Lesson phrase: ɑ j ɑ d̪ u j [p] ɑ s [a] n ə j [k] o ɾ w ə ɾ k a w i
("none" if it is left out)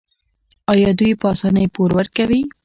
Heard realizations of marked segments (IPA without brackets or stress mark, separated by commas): p, ɑ, p